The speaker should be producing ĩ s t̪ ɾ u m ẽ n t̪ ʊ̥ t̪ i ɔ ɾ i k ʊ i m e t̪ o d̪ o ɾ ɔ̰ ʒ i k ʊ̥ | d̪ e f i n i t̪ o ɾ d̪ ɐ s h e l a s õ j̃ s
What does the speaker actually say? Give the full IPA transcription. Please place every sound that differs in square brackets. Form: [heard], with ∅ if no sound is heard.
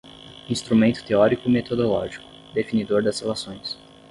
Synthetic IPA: ĩ s t̪ ɾ u m ẽ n t̪ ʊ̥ t̪ [e] ɔ ɾ i k ʊ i m e t̪ o d̪ o [l] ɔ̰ ʒ i k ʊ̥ | d̪ e f i n i [d̪] o ɾ d̪ ɐ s h e l a s õ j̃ s